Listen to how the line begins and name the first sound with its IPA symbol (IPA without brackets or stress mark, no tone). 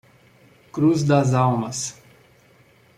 k